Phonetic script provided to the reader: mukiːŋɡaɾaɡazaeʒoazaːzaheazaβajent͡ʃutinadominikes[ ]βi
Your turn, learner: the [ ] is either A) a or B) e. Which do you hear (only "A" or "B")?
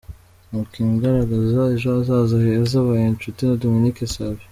A